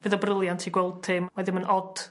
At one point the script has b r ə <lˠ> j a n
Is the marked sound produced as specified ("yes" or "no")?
yes